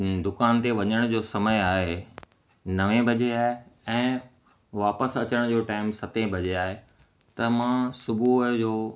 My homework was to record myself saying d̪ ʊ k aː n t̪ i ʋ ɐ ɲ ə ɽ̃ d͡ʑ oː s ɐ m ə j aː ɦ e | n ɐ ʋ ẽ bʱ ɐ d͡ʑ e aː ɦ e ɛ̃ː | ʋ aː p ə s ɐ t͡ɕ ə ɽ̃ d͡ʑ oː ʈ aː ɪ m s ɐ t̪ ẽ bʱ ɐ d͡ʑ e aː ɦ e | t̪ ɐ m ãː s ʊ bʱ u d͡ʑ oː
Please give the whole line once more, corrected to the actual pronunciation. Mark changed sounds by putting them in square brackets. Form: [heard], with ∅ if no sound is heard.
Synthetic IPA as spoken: d̪ ʊ k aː n t̪ [e] ʋ ɐ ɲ ə ɽ̃ d͡ʑ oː s ɐ m ə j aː ɦ e | n ɐ ʋ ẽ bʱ ɐ d͡ʑ e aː ɦ e ɛ̃ː | ʋ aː p ə s ɐ t͡ɕ ə ɽ̃ d͡ʑ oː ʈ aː ɪ m s ɐ t̪ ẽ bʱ ɐ d͡ʑ e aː ɦ e | t̪ ɐ m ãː s ʊ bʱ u d͡ʑ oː